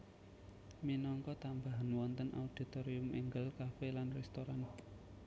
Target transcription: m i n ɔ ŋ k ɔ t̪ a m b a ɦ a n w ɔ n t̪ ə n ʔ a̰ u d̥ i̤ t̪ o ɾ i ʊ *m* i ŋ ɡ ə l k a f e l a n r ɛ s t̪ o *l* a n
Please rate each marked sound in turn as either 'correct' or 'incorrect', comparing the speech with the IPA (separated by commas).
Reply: correct, incorrect